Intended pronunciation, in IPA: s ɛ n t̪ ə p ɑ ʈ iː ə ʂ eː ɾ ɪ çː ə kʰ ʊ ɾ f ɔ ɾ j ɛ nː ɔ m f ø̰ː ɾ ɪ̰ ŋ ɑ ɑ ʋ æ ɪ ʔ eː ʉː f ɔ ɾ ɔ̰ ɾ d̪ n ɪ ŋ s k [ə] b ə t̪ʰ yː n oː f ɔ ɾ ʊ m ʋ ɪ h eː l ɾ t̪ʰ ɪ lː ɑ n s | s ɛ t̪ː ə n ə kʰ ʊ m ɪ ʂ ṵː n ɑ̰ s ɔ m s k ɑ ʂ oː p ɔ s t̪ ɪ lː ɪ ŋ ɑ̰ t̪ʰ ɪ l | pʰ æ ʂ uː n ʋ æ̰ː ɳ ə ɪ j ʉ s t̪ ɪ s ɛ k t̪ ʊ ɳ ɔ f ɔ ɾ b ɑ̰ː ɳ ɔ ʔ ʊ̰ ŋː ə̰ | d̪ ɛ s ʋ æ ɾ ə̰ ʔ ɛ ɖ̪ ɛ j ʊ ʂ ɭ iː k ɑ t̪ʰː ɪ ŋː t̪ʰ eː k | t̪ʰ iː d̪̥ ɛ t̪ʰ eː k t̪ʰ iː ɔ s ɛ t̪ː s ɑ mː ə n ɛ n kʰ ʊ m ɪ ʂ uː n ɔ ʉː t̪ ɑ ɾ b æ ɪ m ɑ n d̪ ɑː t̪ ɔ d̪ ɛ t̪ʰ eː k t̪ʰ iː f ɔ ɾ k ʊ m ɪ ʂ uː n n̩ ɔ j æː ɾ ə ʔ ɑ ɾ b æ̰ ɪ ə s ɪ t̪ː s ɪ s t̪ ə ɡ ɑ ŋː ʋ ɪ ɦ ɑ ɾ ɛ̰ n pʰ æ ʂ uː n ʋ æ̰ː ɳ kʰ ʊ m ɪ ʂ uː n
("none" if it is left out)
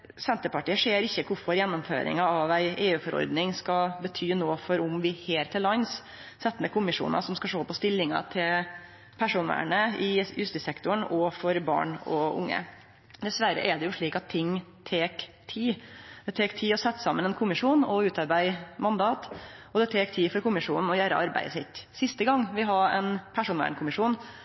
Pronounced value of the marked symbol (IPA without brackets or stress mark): ɑ